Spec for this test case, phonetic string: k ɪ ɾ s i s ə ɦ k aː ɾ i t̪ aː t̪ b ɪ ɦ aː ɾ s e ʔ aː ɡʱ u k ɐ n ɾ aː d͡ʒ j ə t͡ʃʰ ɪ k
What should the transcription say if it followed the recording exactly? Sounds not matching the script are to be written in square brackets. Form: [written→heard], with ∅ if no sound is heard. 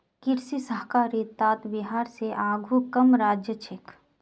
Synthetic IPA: k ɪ ɾ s i s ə ɦ k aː ɾ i t̪ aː t̪ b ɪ ɦ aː ɾ s e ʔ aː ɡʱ u k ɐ [n→m] ɾ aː d͡ʒ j ə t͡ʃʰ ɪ k

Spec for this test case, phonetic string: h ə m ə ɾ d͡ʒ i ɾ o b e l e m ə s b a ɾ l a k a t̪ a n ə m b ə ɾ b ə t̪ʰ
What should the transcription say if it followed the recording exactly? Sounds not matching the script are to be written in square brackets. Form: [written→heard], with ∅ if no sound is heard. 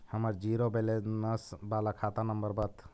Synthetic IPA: h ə m ə ɾ d͡ʒ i ɾ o b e l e [m→n] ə s b a [ɾ→∅] l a [k→kʰ] a t̪ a n ə m b ə ɾ b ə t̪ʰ

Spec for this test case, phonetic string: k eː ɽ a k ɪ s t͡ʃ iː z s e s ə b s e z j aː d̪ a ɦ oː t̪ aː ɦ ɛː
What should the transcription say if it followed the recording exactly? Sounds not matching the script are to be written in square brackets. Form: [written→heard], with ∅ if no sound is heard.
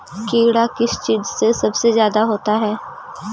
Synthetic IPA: k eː ɽ a k ɪ s t͡ʃ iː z s e s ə b s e z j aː d̪ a ɦ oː t̪ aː ɦ ɛː

